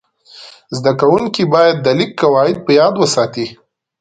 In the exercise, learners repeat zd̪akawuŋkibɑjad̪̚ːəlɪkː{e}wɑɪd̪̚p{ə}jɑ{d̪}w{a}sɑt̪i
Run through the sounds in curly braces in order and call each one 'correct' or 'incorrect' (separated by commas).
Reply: incorrect, correct, correct, incorrect